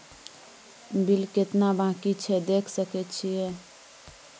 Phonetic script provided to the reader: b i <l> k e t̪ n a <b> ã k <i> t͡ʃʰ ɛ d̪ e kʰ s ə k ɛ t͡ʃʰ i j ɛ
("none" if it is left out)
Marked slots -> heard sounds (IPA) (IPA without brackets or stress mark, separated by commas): l, b, i